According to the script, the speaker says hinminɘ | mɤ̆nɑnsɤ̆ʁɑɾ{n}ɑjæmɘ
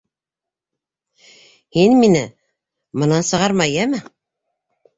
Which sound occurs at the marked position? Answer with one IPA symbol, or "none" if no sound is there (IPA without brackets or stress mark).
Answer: m